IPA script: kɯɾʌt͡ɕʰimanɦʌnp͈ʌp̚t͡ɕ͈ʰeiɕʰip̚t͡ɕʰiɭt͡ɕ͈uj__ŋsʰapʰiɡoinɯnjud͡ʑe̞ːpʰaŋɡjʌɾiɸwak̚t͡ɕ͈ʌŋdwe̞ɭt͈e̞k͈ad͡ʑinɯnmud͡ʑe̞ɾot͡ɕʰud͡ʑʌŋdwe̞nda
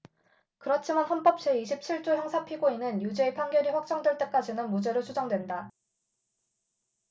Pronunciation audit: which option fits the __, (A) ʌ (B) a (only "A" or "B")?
A